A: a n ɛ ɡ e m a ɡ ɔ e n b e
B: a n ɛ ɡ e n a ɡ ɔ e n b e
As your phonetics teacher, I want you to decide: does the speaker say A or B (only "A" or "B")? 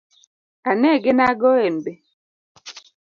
B